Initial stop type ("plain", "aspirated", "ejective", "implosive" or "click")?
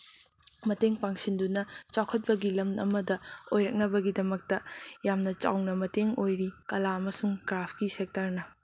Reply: plain